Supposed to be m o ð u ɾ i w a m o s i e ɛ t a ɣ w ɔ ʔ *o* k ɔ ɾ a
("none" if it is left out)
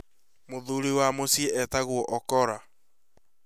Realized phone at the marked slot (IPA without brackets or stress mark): ɔ